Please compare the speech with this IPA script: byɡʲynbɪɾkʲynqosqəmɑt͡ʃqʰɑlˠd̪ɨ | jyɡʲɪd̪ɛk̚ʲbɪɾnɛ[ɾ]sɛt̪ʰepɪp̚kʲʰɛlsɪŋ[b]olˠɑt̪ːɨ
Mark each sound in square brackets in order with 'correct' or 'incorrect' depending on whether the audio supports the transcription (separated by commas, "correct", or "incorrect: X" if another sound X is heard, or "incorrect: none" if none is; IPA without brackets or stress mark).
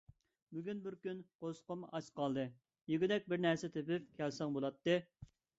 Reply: correct, correct